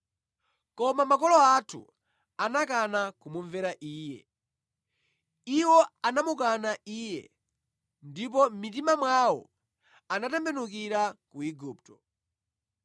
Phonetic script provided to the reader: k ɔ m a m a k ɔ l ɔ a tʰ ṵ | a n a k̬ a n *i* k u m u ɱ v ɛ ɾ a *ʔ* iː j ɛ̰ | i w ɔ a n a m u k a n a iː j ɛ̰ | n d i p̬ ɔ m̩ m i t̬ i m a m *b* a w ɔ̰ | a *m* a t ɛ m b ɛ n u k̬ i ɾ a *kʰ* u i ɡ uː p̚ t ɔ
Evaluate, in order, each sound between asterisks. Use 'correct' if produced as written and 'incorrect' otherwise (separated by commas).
incorrect, correct, incorrect, incorrect, incorrect